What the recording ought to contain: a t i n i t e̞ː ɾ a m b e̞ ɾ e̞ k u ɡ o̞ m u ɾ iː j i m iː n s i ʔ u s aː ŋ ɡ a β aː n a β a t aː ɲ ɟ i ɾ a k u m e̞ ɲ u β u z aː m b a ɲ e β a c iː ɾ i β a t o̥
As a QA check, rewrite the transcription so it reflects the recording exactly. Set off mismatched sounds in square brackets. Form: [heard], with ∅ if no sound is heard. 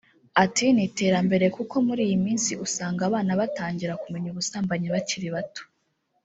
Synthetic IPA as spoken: a t i n i t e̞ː ɾ a m b e̞ ɾ e̞ k u [k] o̞ m u ɾ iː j i m iː n s i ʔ u s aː ŋ ɡ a β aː n a β a t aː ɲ ɟ i ɾ a k u m e̞ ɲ u β u [s] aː m b a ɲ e β a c [i] ɾ i β a t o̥